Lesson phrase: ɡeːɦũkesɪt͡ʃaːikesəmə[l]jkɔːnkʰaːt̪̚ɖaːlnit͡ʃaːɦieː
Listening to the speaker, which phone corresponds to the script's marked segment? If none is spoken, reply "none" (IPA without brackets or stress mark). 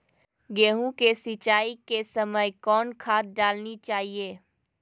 none